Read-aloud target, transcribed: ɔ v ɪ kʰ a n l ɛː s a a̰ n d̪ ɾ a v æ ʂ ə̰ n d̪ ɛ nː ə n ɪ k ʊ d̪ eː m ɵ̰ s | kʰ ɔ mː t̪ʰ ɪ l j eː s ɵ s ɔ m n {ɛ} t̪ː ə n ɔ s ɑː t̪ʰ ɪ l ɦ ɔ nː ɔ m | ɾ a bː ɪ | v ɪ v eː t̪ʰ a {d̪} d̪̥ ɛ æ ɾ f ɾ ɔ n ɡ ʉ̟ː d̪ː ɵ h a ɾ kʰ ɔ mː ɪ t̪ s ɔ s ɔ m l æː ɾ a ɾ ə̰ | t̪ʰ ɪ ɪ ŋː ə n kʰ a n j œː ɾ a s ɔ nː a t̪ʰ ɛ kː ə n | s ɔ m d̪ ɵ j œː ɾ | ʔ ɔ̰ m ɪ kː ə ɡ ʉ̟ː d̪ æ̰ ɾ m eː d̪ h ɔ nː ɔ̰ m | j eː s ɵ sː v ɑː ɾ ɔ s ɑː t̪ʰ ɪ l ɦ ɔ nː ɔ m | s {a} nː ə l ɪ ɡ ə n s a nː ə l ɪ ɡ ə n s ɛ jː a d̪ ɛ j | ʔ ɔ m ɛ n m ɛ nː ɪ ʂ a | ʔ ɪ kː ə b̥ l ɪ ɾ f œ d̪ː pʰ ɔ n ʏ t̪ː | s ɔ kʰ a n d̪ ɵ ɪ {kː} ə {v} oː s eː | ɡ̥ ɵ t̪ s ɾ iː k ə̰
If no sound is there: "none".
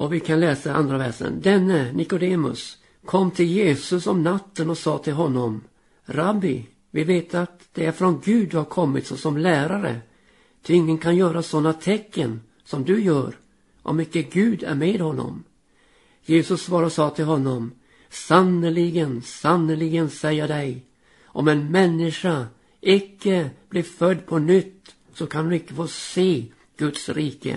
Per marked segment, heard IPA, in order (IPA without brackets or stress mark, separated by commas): a, t̪, a, kː, f